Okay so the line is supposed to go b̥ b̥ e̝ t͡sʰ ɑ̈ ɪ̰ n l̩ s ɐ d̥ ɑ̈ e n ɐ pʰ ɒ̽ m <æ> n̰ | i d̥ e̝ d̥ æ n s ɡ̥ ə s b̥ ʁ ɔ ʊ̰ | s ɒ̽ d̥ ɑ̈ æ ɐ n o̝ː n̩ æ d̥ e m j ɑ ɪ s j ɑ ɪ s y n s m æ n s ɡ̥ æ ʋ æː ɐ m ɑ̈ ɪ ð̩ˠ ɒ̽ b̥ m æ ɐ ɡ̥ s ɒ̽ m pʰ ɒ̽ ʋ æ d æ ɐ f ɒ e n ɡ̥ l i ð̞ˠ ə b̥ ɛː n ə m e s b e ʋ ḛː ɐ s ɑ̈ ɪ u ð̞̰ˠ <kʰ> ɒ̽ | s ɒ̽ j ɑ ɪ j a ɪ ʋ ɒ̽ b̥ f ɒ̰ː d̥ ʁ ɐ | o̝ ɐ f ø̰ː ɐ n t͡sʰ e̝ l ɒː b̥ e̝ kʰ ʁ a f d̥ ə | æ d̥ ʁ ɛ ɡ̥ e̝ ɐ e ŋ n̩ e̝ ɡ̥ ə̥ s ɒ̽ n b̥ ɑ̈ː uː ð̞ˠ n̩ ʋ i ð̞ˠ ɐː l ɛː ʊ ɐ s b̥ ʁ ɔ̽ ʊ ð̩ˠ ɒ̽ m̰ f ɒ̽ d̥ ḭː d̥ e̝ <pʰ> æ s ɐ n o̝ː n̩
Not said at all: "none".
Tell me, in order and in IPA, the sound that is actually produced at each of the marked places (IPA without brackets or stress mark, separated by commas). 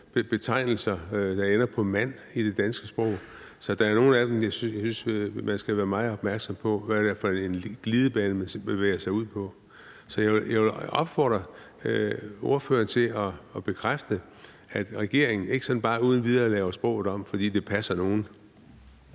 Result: æ, pʰ, pʰ